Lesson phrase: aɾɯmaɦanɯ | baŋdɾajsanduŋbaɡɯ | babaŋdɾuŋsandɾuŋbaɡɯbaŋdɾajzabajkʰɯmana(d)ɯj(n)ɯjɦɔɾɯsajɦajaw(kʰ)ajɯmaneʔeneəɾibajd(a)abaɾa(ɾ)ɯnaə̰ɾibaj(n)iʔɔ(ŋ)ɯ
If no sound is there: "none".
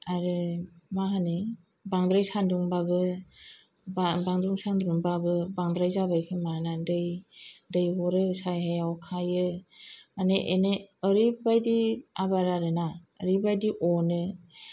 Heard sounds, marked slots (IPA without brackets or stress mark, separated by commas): d, d, kʰ, i, ɾ, d, n